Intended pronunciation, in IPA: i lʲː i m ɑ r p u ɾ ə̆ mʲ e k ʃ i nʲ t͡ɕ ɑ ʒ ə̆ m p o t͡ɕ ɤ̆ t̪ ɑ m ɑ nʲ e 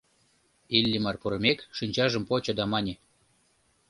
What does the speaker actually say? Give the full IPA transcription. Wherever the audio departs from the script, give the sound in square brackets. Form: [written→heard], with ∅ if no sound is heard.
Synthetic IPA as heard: i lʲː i m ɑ r p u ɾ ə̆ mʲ e k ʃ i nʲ t͡ɕ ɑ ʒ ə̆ m p o t͡ɕ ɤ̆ [t̪→d̪] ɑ m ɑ nʲ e